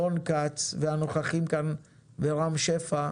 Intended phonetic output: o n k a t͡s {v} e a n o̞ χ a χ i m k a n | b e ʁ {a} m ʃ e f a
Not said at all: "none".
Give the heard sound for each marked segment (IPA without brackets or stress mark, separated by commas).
v, a